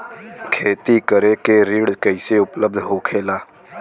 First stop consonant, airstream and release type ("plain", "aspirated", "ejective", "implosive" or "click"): aspirated